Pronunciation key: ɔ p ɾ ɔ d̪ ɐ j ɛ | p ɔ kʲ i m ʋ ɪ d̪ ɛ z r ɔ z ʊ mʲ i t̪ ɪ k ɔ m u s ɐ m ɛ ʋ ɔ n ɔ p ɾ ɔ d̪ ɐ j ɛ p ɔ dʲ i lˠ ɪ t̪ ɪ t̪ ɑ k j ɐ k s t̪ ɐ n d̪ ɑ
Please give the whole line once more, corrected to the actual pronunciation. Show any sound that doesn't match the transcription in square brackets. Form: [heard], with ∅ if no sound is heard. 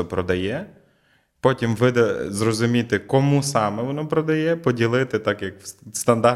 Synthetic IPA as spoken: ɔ p ɾ ɔ d̪ ɐ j ɛ | p ɔ [tʲ] i m ʋ ɪ d̪ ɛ z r ɔ z ʊ mʲ i t̪ ɪ k ɔ m u s [ɑ] m ɛ ʋ ɔ n ɔ p ɾ ɔ d̪ ɐ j ɛ p ɔ dʲ i lˠ ɪ t̪ ɪ t̪ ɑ k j ɐ k s t̪ ɐ n d̪ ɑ